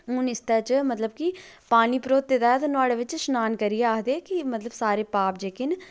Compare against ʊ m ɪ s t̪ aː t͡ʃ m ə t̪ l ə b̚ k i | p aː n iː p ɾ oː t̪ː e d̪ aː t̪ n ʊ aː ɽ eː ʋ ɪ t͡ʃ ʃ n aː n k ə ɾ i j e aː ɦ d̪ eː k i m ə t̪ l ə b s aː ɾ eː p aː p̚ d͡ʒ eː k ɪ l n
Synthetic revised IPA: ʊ n ɪ s t̪ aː t͡ʃ m ə t̪ l ə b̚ k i | p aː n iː p ɾ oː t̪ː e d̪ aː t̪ n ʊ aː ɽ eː ʋ ɪ t͡ʃ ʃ n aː n k ə ɾ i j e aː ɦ d̪ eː k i m ə t̪ l ə b s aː ɾ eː p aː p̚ d͡ʒ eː k ɪ n